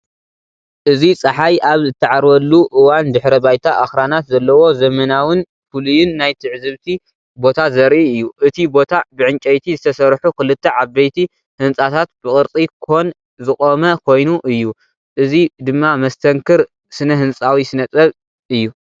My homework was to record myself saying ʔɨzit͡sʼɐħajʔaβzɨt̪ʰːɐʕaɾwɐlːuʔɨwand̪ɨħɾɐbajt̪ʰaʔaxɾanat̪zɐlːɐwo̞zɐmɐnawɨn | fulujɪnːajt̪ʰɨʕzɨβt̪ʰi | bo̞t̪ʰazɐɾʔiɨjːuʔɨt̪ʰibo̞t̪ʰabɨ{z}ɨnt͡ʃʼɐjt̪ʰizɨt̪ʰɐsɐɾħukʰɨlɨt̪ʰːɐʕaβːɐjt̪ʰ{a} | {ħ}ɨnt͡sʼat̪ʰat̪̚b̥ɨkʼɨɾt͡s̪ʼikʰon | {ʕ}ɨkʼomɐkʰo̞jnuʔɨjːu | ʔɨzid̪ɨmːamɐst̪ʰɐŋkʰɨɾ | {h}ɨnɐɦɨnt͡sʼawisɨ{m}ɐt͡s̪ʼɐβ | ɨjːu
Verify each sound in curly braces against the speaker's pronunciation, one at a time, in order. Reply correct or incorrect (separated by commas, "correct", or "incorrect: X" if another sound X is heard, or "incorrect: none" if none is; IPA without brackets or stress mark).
incorrect: ʕ, incorrect: i, incorrect: h, incorrect: z, incorrect: s, incorrect: n